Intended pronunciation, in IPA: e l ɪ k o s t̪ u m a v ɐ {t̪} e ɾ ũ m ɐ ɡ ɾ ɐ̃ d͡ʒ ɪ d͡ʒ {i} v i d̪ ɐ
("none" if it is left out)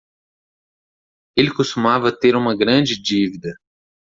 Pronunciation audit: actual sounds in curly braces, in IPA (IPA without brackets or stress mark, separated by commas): t̪, i